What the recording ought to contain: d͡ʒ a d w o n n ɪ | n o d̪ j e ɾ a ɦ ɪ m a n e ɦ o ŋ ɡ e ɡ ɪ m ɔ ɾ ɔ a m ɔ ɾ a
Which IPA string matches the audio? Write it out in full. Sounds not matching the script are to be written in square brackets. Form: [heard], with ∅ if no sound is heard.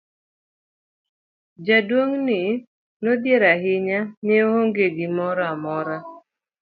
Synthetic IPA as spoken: d͡ʒ a d w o [ŋ] n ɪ | n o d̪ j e ɾ a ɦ ɪ [ɲ] a n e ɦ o ŋ ɡ e ɡ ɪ m ɔ ɾ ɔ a m ɔ ɾ a